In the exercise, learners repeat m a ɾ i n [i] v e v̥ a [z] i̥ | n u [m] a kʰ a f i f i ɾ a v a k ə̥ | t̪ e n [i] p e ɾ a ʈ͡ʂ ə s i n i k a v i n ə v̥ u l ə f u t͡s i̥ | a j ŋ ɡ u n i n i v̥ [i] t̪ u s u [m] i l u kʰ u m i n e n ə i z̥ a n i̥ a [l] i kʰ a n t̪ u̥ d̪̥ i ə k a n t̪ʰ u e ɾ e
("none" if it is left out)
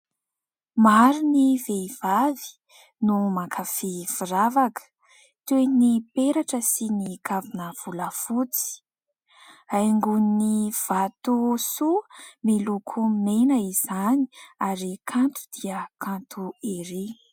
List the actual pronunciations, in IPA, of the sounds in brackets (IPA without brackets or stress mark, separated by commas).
i, v, m, i, a, m, ɾ